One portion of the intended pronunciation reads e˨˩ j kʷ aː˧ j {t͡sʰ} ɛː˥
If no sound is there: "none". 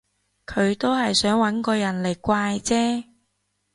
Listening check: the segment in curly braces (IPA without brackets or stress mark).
t͡s